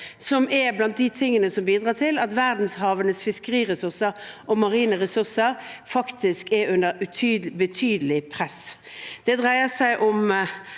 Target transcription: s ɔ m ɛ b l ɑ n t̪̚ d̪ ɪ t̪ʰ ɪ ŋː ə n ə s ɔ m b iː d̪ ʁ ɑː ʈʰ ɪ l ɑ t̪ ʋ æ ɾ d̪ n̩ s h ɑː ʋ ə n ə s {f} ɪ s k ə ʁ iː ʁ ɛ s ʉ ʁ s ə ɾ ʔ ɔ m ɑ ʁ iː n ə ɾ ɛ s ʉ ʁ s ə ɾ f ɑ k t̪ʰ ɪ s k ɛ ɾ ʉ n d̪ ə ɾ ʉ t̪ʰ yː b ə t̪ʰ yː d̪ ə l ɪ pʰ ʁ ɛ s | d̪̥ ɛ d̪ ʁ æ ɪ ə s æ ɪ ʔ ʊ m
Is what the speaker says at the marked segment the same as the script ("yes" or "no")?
yes